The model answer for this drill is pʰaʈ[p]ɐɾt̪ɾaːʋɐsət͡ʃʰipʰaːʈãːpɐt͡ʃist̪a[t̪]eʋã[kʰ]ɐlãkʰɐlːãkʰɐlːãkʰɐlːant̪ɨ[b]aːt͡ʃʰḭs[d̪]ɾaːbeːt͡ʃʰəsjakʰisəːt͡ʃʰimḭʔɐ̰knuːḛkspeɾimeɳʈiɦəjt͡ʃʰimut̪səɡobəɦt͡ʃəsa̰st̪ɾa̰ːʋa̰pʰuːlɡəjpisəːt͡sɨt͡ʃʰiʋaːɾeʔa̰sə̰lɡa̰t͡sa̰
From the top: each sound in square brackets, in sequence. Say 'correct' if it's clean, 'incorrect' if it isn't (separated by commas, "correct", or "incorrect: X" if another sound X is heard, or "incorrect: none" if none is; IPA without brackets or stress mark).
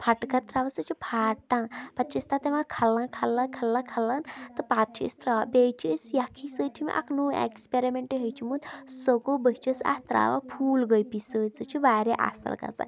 incorrect: k, correct, correct, incorrect: p, incorrect: t̪